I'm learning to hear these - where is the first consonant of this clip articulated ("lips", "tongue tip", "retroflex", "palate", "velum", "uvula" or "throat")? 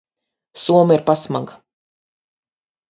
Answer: tongue tip